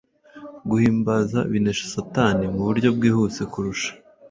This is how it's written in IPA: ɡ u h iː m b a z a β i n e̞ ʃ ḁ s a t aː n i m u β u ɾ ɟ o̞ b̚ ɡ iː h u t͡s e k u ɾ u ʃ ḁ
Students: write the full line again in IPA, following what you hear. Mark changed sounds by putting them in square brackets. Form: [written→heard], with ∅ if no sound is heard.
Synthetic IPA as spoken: ɡ u h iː m b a z a β i n e̞ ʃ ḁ s a t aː n i m u β u ɾ ɟ o̞ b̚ ɡ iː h u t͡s e k u ɾ u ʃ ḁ